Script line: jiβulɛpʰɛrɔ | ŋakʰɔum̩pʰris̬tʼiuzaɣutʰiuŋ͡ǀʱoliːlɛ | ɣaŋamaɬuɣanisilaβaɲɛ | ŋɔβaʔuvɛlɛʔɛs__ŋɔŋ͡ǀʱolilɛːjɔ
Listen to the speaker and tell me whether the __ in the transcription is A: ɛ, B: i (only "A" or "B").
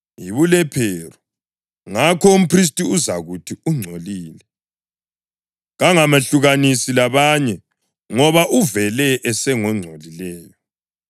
A